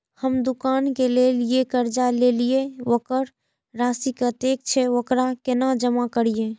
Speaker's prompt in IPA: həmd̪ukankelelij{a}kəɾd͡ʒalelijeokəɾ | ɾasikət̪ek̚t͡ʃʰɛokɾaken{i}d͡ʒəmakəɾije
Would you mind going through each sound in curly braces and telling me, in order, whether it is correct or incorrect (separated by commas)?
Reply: incorrect, incorrect